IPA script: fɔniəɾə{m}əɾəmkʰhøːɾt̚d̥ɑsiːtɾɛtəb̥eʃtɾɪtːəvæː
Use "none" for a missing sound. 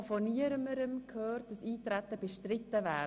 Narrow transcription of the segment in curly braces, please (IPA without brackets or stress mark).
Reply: m